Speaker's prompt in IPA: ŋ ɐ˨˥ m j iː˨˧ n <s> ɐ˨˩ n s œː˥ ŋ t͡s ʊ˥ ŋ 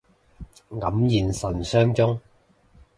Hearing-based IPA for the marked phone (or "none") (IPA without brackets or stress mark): s